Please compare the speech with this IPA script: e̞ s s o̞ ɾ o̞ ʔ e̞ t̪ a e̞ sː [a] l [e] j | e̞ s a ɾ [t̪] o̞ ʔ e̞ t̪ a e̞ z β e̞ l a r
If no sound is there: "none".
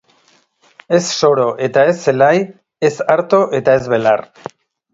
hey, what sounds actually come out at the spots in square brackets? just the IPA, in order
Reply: e, a, t̪

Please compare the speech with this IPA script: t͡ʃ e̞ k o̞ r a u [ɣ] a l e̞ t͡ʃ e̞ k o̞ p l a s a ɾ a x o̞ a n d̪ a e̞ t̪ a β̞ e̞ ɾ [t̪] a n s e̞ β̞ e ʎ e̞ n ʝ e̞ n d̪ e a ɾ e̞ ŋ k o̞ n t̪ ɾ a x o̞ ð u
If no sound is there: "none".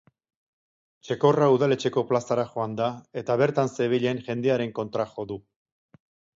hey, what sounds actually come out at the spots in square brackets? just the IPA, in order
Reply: ð, t̪

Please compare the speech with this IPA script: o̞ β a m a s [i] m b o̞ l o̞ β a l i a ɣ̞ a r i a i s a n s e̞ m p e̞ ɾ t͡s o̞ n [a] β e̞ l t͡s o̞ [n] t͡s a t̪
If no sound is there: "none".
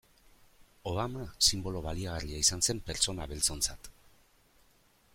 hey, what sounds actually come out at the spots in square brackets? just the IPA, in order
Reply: i, a, n

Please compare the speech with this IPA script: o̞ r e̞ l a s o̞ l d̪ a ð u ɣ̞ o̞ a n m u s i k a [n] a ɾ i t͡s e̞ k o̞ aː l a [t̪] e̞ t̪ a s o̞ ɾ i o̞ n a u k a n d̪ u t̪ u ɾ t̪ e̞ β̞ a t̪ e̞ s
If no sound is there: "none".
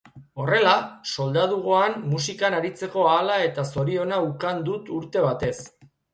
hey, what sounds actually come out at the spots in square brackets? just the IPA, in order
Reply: n, none

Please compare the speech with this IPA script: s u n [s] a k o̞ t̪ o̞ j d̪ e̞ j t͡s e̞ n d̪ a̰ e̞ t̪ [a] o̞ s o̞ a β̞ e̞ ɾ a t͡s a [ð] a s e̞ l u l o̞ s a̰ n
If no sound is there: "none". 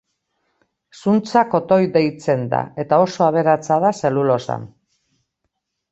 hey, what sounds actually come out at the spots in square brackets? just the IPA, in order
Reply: t͡s, a, ð

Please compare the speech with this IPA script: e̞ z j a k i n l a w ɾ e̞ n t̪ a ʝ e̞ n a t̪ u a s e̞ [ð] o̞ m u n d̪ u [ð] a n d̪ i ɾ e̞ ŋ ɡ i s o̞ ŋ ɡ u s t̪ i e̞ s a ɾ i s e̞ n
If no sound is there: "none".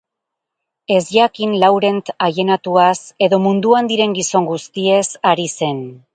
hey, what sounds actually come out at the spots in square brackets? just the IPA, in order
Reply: ð, none

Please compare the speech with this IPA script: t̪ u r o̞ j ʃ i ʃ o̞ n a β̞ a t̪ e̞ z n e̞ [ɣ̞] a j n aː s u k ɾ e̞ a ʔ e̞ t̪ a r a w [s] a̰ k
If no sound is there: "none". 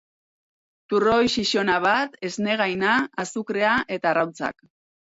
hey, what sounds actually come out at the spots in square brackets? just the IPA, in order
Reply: ɣ̞, t͡s

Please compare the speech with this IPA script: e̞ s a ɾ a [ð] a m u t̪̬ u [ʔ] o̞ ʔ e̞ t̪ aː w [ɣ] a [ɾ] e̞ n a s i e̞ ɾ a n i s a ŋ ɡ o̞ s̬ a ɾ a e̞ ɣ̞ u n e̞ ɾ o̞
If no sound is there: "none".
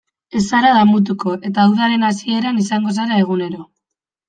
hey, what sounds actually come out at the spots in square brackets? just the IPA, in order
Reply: ð, k, ð, ɾ

